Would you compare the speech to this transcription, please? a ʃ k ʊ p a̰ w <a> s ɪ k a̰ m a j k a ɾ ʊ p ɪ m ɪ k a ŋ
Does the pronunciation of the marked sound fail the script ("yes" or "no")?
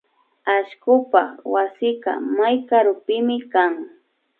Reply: no